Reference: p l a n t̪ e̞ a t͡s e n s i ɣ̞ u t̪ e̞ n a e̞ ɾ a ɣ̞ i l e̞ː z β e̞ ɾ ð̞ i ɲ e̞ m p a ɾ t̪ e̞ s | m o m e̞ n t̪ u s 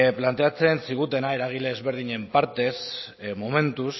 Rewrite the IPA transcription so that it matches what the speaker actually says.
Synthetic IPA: p l a n t̪ e̞ a t͡s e n s i ɣ̞ u t̪ e̞ n a e̞ ɾ a ɣ̞ i l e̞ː z β e̞ ɾ ð̞ i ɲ e̞ m p a ɾ t̪ e̞ s | m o m e̞ n t̪ u s